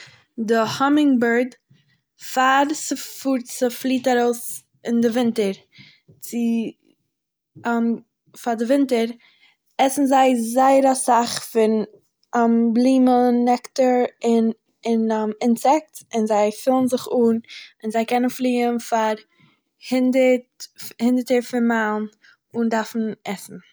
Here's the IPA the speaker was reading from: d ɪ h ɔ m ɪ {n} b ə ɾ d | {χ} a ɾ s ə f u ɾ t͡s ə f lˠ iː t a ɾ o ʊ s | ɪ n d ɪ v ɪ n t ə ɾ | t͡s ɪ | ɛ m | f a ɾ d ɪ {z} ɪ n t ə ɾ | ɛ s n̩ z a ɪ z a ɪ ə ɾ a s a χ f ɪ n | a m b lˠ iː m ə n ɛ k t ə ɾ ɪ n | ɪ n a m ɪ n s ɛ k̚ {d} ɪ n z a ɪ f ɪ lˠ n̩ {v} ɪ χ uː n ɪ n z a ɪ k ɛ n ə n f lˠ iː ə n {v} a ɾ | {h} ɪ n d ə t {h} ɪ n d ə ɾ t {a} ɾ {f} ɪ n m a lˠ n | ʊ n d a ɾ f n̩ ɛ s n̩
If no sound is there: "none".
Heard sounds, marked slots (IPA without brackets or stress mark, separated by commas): ŋ, f, v, t, z, f, h, h, ə, f